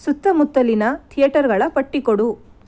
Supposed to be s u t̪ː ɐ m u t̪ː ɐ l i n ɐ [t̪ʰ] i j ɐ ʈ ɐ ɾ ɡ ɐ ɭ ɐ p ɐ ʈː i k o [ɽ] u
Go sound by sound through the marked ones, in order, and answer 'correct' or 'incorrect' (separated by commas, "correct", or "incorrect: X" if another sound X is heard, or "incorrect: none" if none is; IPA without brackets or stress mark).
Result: correct, correct